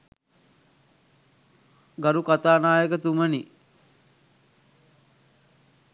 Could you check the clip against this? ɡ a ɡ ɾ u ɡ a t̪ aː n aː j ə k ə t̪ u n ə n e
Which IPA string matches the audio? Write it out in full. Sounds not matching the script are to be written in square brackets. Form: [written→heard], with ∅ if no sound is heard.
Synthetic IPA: ɡ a [ɡ→∅] ɾ u [ɡ→k] a t̪ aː n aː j ə k ə t̪ u [n→m] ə n [e→i]